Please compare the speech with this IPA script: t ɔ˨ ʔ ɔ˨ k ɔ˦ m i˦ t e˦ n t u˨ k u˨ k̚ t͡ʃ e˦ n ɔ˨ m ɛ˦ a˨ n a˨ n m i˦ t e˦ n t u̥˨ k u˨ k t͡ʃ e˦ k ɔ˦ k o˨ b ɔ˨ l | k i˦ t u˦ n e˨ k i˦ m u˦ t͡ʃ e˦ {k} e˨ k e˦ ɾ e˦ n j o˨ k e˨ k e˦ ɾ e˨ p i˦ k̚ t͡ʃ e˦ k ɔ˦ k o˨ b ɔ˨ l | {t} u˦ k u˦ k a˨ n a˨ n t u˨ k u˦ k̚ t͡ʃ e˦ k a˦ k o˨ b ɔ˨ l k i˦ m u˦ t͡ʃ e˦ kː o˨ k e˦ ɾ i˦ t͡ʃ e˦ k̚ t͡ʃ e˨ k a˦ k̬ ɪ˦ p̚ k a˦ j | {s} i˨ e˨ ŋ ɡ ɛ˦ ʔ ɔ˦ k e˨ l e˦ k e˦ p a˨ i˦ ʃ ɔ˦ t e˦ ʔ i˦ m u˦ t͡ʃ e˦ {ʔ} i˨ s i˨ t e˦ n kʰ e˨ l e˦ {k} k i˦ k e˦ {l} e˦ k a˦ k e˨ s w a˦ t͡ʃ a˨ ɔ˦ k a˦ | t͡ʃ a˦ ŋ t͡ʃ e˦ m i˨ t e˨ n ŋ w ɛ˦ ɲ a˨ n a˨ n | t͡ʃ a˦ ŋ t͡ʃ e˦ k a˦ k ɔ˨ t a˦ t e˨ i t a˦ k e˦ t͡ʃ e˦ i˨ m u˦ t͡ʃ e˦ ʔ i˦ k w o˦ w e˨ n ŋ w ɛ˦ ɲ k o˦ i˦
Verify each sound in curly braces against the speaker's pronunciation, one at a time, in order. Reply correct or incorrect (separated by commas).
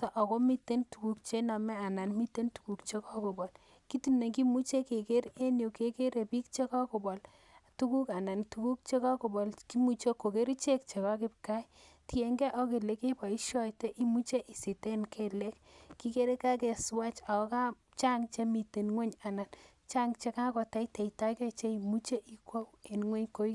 correct, correct, incorrect, correct, correct, incorrect